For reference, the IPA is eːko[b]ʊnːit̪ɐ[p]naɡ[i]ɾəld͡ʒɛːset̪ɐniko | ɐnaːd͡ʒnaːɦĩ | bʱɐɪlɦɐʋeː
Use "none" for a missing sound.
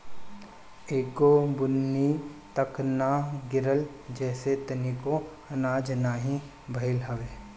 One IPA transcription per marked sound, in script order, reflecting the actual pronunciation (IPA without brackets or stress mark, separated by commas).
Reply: b, k, ɪ